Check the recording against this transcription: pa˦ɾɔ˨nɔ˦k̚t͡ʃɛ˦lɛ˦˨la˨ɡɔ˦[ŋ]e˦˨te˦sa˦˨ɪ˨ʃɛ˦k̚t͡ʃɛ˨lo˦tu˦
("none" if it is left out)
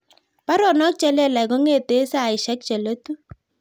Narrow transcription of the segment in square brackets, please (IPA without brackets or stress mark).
ŋ